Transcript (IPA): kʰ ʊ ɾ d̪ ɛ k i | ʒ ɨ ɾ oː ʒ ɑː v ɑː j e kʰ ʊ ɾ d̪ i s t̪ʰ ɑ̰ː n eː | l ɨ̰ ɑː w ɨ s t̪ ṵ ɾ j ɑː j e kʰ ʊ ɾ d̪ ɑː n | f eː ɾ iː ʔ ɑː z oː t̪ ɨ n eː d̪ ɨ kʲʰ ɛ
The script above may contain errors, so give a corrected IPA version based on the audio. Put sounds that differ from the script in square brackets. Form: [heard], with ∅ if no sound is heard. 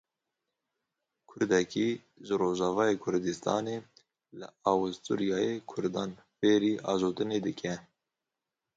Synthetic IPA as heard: kʰ ʊ ɾ d̪ ɛ k i | ʒ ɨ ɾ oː ʒ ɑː v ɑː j e kʰ ʊ ɾ d̪ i s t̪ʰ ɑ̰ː n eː | l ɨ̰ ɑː w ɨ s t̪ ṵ ɾ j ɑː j e kʰ ʊ ɾ d̪ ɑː n | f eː ɾ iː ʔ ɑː z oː t̪ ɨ n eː d̪ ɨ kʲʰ ɛ